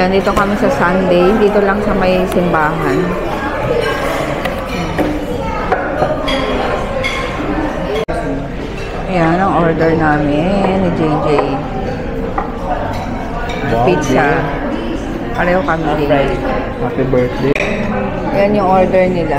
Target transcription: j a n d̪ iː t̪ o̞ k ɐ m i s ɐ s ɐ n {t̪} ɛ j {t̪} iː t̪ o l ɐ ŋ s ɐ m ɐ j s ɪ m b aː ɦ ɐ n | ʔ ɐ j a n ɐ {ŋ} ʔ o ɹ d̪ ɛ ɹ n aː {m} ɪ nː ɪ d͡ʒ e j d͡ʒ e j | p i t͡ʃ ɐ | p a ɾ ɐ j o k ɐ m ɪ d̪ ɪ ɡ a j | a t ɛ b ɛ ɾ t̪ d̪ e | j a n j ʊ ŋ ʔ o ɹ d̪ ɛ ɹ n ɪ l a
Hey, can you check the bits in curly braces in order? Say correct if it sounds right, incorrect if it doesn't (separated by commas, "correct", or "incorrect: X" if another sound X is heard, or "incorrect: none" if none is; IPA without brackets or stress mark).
incorrect: d̪, incorrect: d̪, correct, correct